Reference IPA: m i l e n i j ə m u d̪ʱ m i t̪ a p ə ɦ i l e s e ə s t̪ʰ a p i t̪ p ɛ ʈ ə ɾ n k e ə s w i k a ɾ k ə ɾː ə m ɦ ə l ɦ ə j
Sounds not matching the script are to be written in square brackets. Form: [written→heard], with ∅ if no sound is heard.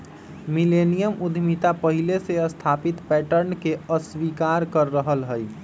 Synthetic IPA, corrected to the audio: m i l e n i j ə m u d̪ʱ m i t̪ a p ə ɦ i l e s e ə s t̪ʰ a p i t̪ p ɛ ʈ ə ɾ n k e ə s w i k a ɾ k ə ɾː ə [m→∅] ɦ ə l ɦ ə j